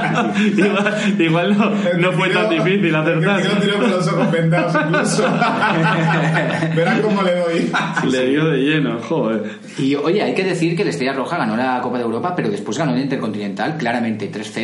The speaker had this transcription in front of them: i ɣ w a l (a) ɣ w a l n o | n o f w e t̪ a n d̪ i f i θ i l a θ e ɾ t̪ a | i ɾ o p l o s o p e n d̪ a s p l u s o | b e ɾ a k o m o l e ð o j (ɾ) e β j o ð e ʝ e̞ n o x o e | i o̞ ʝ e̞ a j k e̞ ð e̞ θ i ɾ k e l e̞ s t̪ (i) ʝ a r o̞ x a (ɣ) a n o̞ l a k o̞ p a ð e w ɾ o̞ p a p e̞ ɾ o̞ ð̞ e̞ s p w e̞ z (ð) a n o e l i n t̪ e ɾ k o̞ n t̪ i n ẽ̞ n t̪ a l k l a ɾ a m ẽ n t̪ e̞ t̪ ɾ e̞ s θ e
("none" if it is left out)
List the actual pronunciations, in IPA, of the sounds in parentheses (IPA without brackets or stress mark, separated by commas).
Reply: i, l, e, ɣ, ɣ